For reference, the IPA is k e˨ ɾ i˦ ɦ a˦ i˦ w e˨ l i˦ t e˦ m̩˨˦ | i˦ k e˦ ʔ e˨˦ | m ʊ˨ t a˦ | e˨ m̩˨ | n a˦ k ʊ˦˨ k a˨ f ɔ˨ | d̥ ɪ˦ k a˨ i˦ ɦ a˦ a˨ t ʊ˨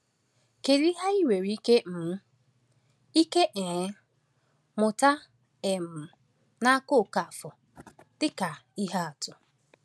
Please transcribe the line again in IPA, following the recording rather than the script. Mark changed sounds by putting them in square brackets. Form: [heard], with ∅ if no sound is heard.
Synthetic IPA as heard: k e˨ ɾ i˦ ɦ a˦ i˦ w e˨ [ɾ] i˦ [k] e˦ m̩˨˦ | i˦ k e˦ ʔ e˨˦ | m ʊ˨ t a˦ | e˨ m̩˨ | n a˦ k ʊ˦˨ k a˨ f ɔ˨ | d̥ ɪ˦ k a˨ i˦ ɦ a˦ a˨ t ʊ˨